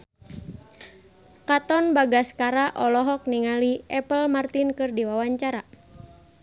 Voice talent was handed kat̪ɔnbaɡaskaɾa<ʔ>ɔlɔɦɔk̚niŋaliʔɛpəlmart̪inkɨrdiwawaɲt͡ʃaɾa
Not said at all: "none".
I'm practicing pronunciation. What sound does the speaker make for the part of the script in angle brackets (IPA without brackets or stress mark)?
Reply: ʔ